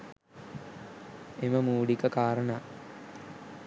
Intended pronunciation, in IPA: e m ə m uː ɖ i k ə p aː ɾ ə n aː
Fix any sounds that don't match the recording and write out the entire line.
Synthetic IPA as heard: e m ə m uː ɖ i k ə k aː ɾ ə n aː